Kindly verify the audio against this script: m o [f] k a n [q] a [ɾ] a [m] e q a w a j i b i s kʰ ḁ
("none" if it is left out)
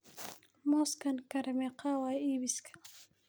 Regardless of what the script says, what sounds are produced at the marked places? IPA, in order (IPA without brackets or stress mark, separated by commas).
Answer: s, k, ɾ, m